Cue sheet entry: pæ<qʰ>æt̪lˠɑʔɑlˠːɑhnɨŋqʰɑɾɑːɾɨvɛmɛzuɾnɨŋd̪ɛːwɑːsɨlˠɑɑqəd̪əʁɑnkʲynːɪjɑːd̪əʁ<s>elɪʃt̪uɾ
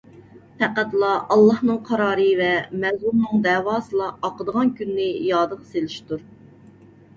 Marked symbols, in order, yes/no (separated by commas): no, yes